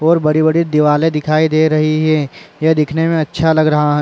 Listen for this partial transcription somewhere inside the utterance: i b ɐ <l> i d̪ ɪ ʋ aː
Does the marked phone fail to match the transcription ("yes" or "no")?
yes